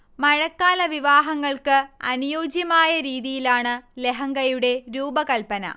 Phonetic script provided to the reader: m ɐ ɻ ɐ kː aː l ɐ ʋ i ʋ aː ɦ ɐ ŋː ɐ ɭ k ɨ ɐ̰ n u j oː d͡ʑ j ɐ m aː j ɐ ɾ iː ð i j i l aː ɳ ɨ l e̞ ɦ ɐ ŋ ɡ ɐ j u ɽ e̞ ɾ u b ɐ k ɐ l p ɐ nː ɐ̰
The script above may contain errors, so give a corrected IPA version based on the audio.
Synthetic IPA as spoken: m ɐ ɻ ɐ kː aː l ɐ ʋ i ʋ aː ɦ ɐ ŋː ɐ ɭ k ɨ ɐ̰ n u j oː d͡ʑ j ɐ m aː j ɐ ɾ iː ð i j i l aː ɳ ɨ l e̞ ɦ ɐ ŋ ɡ ɐ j u ɽ e̞ ɾ uː b ɐ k ɐ l p ɐ n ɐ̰